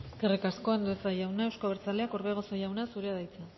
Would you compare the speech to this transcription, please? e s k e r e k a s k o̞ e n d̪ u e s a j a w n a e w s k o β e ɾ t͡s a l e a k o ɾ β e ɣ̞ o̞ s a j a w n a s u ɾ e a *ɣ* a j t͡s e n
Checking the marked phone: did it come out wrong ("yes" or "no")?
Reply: yes